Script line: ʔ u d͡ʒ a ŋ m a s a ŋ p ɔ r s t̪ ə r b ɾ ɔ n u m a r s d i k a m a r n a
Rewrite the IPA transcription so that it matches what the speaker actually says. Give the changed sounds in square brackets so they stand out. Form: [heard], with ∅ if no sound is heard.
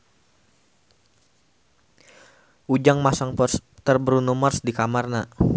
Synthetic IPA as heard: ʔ u d͡ʒ a ŋ m a s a ŋ p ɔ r s t̪ ə r b ɾ [u] n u m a r s d i k a m a r n a